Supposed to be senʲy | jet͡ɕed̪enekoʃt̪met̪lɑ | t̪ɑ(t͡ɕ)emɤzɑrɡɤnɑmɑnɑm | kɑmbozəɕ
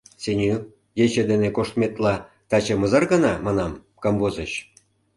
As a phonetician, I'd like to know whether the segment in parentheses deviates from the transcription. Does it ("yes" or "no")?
no